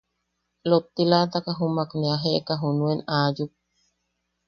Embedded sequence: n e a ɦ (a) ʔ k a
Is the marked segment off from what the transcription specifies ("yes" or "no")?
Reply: yes